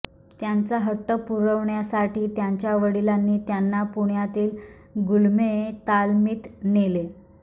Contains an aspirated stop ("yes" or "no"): no